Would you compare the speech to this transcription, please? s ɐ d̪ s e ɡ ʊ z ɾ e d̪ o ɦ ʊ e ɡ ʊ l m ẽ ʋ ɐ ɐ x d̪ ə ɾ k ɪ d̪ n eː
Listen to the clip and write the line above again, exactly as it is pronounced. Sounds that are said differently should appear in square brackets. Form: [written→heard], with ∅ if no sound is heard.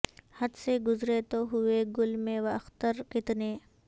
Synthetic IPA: [s→h] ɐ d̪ s e ɡ ʊ z ɾ e [d̪→t̪] o ɦ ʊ e ɡ ʊ l m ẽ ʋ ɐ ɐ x [d̪→t̪] ə ɾ k ɪ [d̪→t̪] n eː